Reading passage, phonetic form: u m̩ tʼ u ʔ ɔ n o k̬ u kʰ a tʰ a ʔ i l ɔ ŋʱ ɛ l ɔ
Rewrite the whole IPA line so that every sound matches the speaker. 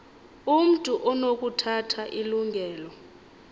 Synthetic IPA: u m̩ tʼ u ʔ ɔ n o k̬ u tʰ a tʰ a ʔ i l u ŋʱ ɛː l ɔ